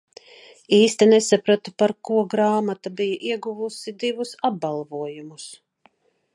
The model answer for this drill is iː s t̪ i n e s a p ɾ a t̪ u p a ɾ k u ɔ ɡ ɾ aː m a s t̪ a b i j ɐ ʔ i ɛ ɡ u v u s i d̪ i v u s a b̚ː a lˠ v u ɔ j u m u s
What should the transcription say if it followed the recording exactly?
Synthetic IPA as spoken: iː s t̪ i n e s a p ɾ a t̪ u p a ɾ k u ɔ ɡ ɾ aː m a t̪ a b i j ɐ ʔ i ɛ ɡ u v u s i d̪ i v u s a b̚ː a lˠ v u ɔ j u m u s